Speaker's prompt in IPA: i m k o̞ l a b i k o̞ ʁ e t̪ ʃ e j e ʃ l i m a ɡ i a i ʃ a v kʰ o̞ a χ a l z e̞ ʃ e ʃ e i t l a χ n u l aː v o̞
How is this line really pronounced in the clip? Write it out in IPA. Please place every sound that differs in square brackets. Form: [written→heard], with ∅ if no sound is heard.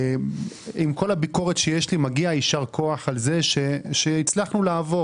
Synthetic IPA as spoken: i m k o̞ l a b i k o̞ ʁ e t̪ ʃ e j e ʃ l i m a ɡ i a i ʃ a [v→ʁ] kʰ o̞ a χ a l z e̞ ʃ e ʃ e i [t→t͡s] l a χ n u l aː v o̞